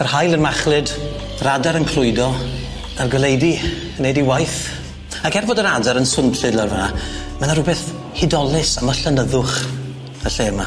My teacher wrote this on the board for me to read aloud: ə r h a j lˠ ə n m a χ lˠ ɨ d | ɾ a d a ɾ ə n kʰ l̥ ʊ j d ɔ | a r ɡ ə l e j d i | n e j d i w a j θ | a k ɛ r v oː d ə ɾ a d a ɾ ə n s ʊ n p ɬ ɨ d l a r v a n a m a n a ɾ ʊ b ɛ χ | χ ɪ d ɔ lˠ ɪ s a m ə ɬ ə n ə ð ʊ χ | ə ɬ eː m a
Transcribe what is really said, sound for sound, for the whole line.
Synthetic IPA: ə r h a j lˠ ə n m a χ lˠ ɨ d | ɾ a d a ɾ ə n kʰ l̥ ʊ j d ɔ | a r ɡ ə l e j d i | n e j d i w a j θ | a k ɛ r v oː d ə ɾ a d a ɾ ə n s ʊ n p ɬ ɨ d l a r v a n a m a n a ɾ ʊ b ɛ θ | h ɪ d ɔ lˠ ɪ s a m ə ɬ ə n ə ð ʊ χ | ə ɬ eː m a